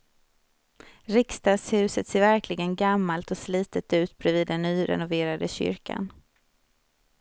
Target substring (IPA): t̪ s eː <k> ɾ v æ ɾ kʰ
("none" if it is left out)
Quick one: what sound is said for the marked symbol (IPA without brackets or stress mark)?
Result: none